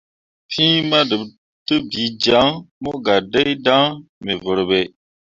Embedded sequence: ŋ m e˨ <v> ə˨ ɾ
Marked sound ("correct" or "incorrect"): correct